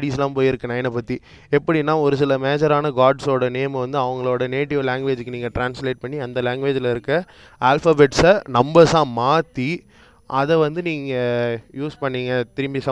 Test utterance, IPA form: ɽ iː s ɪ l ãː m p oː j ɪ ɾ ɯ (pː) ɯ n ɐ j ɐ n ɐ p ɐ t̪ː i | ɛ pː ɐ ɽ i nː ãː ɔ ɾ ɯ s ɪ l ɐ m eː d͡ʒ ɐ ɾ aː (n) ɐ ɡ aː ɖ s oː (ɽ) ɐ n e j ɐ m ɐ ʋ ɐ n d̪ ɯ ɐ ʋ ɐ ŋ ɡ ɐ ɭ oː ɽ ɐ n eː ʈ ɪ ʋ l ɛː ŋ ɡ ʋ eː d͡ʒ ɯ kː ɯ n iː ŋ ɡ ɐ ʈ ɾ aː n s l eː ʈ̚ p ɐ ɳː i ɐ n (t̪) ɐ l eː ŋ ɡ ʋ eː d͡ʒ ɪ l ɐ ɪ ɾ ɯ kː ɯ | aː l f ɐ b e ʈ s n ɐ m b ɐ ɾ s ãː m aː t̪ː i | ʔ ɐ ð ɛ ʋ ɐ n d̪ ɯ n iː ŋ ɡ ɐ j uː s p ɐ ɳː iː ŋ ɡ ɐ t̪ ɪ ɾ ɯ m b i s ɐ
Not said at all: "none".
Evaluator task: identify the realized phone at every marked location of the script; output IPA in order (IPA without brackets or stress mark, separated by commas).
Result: kː, n, ɽ, d̪